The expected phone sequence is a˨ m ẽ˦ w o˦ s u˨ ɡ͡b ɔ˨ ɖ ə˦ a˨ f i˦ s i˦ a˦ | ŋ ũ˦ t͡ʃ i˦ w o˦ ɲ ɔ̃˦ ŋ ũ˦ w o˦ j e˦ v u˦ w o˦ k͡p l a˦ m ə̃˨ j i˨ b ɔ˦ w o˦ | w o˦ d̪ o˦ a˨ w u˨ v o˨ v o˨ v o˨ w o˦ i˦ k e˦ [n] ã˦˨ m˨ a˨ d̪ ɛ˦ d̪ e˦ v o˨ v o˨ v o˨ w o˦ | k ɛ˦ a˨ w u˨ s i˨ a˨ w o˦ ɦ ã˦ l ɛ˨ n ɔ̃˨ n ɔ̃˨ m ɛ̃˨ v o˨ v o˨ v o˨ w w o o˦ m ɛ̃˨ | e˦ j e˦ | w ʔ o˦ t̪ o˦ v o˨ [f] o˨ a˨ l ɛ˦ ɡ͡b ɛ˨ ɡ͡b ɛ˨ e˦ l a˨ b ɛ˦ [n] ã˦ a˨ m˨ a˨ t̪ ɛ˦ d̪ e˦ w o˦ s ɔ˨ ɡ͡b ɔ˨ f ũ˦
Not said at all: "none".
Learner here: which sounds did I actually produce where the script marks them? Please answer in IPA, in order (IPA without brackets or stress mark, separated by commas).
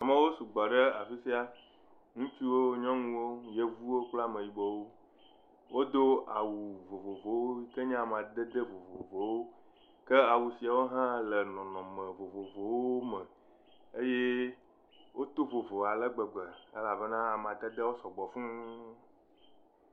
ɲ, v, n